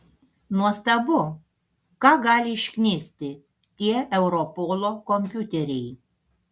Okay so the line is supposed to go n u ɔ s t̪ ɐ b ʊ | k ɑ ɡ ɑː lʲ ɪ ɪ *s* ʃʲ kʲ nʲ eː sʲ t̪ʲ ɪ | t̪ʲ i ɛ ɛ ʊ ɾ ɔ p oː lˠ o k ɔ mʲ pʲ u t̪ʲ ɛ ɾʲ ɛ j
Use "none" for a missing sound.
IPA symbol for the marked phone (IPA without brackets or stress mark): none